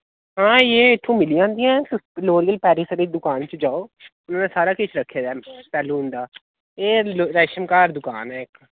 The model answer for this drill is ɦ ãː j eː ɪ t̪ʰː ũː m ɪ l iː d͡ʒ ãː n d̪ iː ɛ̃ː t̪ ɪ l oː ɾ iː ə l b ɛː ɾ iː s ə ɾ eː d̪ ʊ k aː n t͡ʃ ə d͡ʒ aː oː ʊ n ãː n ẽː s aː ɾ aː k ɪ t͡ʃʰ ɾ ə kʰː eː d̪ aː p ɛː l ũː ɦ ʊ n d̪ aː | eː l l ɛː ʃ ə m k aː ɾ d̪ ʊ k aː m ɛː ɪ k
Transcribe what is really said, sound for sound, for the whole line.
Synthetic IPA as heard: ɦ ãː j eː ɪ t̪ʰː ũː m ɪ l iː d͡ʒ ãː n d̪ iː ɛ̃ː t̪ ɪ l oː ɾ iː ə l p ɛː ɾ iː s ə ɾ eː d̪ ʊ k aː n t͡ʃ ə d͡ʒ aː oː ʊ n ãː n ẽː s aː ɾ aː k ɪ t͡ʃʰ ɾ ə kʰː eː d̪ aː p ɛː l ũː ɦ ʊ n d̪ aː | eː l ɾ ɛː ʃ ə m k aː ɾ d̪ ʊ k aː n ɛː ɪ k